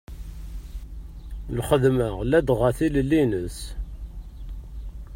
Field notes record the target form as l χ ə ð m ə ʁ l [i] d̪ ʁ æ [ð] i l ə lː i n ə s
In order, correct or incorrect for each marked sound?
incorrect, incorrect

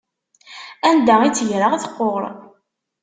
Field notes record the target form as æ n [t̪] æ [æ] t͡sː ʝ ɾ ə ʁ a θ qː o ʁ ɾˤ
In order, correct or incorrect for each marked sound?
incorrect, incorrect

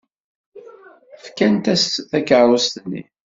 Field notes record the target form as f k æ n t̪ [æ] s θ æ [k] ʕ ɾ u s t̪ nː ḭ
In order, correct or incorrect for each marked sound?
correct, correct

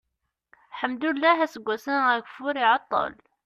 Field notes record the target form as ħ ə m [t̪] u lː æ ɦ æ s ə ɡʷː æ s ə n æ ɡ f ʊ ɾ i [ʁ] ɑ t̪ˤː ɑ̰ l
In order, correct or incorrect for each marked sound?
incorrect, incorrect

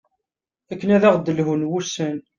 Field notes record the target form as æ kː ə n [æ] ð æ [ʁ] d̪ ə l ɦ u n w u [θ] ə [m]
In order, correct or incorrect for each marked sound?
correct, correct, incorrect, incorrect

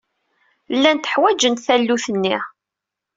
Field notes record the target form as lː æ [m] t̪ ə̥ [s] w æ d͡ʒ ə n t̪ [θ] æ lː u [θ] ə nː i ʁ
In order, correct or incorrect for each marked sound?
incorrect, incorrect, correct, correct

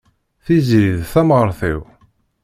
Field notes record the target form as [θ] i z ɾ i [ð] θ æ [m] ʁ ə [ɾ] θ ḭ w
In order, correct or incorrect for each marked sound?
correct, correct, correct, correct

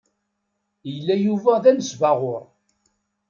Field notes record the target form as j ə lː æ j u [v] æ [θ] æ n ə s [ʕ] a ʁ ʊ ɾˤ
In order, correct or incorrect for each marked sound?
correct, incorrect, incorrect

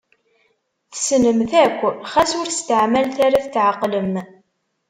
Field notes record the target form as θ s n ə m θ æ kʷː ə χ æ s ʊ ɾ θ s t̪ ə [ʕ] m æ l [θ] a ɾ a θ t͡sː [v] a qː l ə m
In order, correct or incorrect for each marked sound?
correct, correct, incorrect

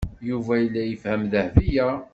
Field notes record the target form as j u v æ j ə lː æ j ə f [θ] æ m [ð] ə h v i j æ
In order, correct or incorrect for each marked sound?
incorrect, correct

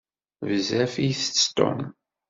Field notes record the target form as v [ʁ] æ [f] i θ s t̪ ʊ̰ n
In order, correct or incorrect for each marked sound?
incorrect, correct

